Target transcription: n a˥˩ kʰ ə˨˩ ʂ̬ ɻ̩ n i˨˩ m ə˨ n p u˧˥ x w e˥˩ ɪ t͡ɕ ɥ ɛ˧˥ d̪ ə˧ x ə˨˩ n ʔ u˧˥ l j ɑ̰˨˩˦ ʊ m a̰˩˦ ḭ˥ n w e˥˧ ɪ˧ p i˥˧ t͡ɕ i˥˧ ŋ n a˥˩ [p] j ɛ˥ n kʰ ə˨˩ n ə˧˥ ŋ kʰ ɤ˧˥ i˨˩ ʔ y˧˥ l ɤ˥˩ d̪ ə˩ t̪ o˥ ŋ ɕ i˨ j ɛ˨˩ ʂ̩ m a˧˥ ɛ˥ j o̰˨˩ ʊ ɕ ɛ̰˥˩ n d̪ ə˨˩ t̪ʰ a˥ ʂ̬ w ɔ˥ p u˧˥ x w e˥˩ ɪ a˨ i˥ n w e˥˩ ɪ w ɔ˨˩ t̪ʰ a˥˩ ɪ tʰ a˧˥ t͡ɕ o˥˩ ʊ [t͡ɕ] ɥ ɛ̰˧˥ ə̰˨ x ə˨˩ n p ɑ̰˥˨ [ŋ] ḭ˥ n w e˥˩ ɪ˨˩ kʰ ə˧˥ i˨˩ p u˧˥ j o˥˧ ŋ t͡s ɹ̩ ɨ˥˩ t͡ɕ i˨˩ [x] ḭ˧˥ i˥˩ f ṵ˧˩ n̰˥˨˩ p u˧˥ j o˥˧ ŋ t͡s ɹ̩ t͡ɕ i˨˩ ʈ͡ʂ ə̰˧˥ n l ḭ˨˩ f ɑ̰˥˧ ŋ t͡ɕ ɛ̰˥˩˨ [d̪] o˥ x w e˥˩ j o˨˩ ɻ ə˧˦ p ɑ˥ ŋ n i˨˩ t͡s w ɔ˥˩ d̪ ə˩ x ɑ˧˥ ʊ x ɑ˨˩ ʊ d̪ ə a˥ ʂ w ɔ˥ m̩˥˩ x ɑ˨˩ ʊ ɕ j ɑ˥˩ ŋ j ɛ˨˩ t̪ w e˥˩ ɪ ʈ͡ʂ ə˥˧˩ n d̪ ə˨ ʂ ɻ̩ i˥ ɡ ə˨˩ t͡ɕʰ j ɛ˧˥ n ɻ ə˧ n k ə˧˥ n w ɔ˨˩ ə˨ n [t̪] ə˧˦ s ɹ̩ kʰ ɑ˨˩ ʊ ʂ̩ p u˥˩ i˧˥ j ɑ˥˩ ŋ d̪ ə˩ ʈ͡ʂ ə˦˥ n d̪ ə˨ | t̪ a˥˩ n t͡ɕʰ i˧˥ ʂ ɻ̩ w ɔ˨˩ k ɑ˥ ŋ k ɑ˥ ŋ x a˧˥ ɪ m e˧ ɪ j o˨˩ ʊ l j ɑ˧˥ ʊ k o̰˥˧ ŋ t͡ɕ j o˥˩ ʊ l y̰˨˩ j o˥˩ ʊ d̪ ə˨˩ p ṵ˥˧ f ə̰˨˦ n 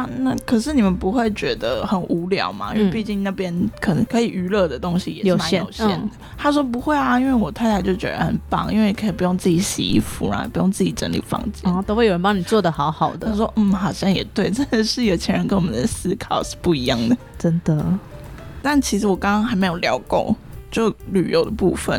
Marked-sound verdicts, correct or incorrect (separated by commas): correct, correct, correct, incorrect, incorrect, incorrect